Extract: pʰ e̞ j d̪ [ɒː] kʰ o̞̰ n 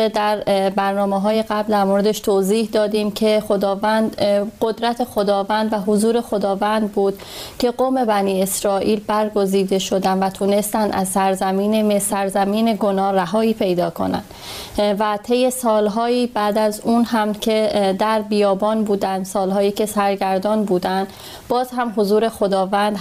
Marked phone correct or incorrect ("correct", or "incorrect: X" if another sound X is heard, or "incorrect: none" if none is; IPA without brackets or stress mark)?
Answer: correct